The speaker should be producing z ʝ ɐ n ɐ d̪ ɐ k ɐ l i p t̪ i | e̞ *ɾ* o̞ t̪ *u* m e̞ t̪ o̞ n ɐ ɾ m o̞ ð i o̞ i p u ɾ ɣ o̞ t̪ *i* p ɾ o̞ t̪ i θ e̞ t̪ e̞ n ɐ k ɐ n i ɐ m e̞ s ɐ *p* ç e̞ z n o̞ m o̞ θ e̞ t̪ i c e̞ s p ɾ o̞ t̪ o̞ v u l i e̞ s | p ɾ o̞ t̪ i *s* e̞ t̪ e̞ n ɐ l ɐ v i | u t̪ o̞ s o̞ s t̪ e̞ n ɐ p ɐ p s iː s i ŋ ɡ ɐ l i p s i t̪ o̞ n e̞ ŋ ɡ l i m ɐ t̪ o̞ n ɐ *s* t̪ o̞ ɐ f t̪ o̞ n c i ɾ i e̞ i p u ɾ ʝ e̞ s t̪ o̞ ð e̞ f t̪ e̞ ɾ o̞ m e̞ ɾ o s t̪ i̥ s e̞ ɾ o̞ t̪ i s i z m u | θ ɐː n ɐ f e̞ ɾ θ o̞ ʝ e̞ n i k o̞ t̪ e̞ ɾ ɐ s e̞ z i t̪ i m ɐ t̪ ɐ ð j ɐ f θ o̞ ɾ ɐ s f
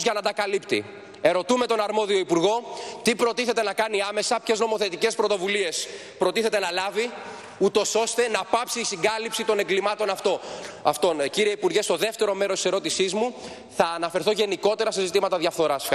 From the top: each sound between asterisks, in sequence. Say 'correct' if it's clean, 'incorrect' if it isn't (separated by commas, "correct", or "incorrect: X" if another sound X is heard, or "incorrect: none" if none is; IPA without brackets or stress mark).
correct, correct, correct, correct, incorrect: θ, incorrect: f